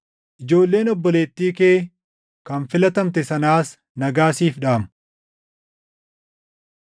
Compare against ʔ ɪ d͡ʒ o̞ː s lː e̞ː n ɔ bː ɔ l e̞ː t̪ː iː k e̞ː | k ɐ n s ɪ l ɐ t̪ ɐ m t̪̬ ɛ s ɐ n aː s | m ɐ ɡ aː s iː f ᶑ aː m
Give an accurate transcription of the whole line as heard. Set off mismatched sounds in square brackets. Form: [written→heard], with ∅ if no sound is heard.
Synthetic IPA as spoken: ʔ ɪ d͡ʒ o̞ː [s→∅] lː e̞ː n ɔ bː ɔ l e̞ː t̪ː iː k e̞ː | k ɐ n [s→f] ɪ l ɐ t̪ ɐ m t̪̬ ɛ s ɐ n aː s | [m→n] ɐ ɡ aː s iː f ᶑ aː m

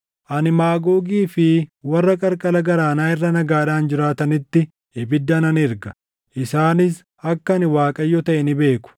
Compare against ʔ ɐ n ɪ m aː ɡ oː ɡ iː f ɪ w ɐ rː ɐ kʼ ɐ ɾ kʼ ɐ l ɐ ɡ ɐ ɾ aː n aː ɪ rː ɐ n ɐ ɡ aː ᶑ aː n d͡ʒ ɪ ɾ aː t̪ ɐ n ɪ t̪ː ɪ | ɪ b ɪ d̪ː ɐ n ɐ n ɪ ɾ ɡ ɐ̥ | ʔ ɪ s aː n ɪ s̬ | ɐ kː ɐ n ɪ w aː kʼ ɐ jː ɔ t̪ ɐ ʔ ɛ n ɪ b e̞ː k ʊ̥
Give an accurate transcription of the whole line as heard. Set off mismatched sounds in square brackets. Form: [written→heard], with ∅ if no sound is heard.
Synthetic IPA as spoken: ʔ ɐ n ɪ m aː ɡ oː ɡ iː f ɪ w ɐ rː ɐ kʼ ɐ ɾ kʼ ɐ l ɐ ɡ ɐ ɾ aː n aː ɪ rː ɐ n ɐ ɡ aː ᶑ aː n d͡ʒ ɪ ɾ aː t̪ ɐ n ɪ t̪ː ɪ | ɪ b ɪ d̪ː ɐ n ɐ n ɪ ɾ ɡ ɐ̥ | ʔ ɪ s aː n ɪ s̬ | ɐ kː ɐ n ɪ w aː kʼ ɐ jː ɔ t̪ ɐ ʔ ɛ n ɪ b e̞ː k ʊ̥

